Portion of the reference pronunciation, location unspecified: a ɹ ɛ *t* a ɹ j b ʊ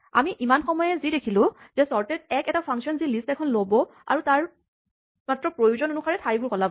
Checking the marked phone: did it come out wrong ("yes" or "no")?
yes